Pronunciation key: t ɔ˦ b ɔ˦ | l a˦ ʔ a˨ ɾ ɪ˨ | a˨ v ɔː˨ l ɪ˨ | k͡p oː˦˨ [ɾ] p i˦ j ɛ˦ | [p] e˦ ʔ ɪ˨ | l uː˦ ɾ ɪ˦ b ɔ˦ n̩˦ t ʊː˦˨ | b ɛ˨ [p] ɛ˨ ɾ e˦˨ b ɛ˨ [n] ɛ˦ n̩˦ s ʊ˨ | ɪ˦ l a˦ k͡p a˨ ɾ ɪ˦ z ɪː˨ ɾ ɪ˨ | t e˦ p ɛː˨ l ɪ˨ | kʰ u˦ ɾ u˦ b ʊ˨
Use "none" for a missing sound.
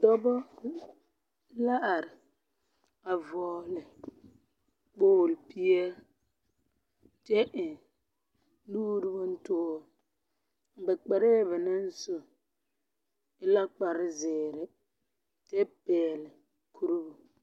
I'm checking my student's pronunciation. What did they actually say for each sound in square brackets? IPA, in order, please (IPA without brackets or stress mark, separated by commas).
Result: l, t, k͡p, n